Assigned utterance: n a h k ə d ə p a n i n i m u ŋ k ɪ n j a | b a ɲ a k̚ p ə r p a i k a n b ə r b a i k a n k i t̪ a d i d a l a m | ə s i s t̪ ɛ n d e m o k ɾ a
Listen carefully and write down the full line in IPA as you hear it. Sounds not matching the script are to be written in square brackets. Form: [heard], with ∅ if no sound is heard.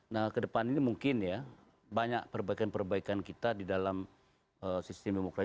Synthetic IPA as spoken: n a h k ə d ə p a n i n i m u ŋ k ɪ n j a | b a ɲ a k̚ p ə r [b] a i k a n [p] ə r b a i k a n k i t̪ a d i d a l a m | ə s i s t̪ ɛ [m] d e m o k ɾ a